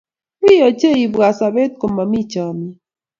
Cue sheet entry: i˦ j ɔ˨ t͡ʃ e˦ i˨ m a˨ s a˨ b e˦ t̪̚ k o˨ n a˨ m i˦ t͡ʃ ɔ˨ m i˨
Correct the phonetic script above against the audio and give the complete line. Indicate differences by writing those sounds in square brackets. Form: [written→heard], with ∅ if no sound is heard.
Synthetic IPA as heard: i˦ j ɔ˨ t͡ʃ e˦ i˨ [m→b] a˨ s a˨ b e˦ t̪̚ k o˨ [n→m] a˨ m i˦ t͡ʃ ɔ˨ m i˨